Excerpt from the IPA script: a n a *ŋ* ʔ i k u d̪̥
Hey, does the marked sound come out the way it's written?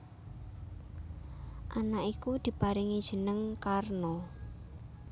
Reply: no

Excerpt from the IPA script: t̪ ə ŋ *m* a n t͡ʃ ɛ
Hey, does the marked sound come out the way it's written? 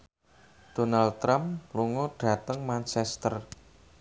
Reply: yes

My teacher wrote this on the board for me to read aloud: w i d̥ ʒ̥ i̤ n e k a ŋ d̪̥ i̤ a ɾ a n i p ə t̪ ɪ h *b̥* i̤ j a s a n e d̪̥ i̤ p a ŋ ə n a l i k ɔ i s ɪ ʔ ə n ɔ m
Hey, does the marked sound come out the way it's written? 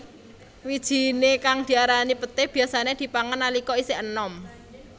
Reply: yes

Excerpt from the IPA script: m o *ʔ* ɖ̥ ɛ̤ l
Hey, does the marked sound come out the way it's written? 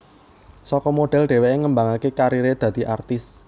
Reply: no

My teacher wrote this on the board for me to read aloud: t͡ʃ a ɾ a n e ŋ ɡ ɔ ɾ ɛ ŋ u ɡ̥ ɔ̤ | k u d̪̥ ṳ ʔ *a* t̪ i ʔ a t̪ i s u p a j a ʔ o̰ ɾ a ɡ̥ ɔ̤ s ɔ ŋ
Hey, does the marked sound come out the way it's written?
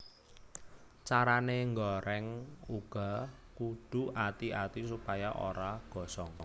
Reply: yes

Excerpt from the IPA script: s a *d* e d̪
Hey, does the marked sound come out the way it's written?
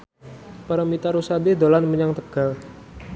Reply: yes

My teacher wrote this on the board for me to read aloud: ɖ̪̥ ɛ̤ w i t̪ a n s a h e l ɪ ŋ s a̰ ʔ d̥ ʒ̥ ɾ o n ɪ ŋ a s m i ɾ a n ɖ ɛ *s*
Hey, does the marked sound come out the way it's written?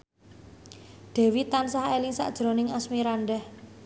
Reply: no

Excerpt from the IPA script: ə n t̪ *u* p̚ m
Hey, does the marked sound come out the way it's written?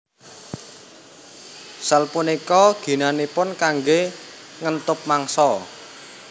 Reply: no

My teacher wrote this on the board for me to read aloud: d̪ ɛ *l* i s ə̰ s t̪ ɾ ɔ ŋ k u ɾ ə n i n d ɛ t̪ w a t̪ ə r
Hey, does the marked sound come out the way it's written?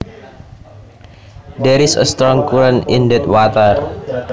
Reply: no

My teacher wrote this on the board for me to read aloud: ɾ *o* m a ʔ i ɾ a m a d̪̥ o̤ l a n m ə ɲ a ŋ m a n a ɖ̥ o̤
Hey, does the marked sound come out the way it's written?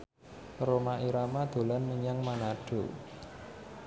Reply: yes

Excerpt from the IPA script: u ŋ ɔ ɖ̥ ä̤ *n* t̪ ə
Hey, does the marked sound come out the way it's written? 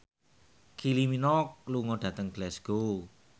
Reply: no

